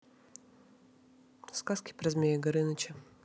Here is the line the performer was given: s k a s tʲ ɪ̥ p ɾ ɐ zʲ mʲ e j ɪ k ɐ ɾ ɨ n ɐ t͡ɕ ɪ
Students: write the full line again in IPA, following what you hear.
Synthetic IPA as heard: s k a s kʲ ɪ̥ p ɾ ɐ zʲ mʲ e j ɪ ɡ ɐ ɾ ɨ n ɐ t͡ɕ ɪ